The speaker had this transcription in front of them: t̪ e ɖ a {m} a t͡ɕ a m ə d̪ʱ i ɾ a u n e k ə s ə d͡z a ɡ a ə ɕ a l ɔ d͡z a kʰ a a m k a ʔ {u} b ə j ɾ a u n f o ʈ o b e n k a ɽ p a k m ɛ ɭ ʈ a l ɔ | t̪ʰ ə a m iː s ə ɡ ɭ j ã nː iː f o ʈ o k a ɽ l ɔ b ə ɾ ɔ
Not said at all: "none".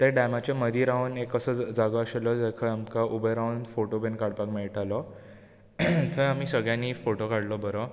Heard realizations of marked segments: m, u

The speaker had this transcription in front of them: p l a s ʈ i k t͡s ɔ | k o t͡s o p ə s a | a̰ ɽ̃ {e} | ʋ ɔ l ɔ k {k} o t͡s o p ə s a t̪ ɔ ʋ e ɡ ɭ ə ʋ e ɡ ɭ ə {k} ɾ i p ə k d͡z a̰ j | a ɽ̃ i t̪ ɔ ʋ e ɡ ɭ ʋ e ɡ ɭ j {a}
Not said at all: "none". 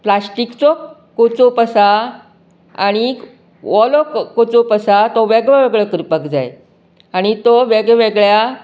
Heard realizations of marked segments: i, k, k, a

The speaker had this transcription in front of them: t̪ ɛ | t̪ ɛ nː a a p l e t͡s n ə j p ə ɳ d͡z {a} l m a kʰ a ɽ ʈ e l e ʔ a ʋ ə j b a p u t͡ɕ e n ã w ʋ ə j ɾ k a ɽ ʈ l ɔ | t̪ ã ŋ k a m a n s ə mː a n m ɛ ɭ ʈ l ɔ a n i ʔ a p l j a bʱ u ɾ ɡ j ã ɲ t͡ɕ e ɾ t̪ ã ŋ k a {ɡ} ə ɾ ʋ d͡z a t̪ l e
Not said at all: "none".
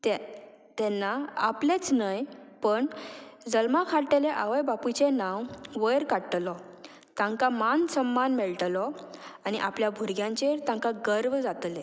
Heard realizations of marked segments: ə, ɡ

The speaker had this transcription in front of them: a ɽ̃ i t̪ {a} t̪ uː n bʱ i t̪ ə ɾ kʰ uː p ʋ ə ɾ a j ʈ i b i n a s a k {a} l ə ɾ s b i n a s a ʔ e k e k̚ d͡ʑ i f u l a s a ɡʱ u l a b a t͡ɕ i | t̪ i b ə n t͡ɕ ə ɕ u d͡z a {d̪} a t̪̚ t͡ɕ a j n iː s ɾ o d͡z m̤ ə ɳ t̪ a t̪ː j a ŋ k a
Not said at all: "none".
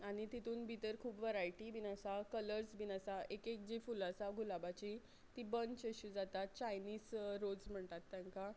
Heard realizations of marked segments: i, ə, t̪

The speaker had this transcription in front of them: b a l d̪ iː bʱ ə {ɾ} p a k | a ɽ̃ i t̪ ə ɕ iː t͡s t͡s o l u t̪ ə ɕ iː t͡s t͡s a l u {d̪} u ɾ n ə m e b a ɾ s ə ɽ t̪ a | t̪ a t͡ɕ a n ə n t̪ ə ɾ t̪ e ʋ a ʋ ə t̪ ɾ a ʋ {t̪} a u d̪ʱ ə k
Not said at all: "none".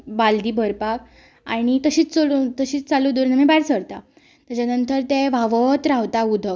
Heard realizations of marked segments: ɾ, d̪, t̪

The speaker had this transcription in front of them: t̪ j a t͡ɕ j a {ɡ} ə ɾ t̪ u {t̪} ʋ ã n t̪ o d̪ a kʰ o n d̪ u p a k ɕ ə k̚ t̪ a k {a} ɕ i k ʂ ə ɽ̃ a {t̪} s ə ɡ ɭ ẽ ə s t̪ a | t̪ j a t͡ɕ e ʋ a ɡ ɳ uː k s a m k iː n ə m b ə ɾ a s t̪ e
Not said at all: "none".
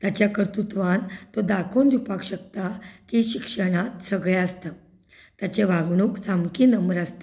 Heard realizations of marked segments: k, t̪, i, t̪

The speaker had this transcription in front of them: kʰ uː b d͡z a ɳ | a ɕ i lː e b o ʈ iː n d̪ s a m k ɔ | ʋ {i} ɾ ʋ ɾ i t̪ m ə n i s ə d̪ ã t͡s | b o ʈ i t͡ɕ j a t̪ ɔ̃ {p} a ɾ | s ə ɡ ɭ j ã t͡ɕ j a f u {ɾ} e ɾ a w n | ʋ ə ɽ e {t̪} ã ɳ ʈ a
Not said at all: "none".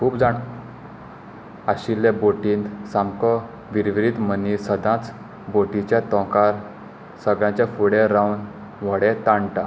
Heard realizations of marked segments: i, k, ɽ, t̪

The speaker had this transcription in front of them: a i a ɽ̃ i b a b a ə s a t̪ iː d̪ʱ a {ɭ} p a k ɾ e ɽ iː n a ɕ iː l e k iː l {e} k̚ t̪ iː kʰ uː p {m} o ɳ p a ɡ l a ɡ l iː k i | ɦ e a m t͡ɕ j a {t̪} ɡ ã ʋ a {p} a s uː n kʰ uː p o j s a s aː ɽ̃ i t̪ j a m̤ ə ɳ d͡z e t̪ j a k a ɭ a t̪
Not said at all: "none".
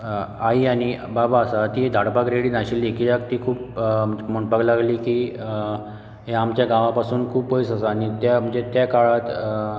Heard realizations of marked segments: ɽ, a, m, none, p

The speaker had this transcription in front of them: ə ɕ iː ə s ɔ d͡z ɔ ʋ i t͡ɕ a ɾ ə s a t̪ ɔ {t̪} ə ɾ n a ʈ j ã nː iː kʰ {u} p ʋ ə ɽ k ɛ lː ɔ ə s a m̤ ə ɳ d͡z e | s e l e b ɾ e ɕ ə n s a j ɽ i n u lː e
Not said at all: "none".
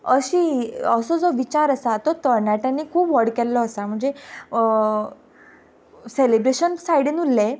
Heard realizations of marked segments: t̪, uː

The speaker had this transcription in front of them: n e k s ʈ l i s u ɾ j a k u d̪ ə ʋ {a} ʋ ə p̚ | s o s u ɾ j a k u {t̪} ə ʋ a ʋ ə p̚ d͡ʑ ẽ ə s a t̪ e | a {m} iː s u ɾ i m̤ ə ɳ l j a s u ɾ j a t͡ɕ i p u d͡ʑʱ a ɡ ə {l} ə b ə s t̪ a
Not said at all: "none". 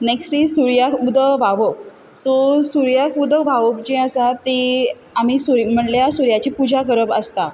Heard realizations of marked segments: a, d̪, m, ɾ

